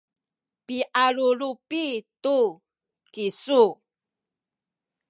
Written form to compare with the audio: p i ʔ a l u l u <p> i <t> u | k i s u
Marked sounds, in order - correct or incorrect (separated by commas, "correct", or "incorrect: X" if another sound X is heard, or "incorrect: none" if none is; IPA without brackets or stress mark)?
correct, correct